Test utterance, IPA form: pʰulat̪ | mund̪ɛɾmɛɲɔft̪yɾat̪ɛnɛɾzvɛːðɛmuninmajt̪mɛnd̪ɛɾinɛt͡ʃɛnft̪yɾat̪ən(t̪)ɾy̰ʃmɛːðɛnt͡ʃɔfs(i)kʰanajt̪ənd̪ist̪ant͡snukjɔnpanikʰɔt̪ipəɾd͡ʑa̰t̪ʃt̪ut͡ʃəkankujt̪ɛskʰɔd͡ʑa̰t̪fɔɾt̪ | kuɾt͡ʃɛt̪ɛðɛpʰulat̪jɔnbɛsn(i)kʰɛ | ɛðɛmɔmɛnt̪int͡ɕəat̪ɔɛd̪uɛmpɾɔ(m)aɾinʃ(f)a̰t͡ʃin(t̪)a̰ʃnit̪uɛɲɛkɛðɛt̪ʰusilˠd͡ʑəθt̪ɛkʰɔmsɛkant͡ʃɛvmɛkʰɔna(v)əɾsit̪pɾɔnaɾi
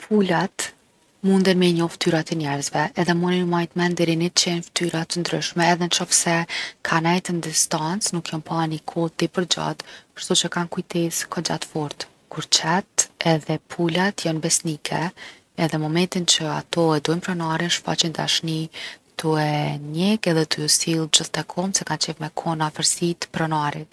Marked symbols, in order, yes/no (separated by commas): no, no, yes, no, yes, no, no